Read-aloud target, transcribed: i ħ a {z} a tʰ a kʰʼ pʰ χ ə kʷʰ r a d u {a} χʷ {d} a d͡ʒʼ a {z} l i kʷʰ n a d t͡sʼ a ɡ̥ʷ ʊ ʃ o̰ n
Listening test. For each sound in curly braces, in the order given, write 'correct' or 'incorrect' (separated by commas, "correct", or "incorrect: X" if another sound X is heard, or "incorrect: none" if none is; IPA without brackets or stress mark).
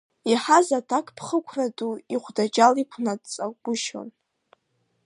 correct, incorrect: i, correct, incorrect: none